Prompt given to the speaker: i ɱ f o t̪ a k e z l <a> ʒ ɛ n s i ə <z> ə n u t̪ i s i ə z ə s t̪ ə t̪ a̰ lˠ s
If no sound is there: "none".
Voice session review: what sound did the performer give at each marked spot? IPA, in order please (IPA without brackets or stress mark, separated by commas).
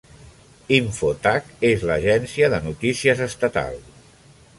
ə, ð